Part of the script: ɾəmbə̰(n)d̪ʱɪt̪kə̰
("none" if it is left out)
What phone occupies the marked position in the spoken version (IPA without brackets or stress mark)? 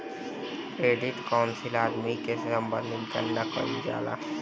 n